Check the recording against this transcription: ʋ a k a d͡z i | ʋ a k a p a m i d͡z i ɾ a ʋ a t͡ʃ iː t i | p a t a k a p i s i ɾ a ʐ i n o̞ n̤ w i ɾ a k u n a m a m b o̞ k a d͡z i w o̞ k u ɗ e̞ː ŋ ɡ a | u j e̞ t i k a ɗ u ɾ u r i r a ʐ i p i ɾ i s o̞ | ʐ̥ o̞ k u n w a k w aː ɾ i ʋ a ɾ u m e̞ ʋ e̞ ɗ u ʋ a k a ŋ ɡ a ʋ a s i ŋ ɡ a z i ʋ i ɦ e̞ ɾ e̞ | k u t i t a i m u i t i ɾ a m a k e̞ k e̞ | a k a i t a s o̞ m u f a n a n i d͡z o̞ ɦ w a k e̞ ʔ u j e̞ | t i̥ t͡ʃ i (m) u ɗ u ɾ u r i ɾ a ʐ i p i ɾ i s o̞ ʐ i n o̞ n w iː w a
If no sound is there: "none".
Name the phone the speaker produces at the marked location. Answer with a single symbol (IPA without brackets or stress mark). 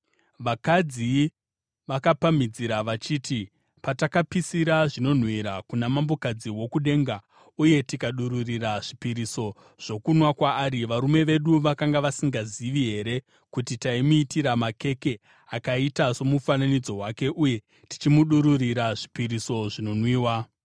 m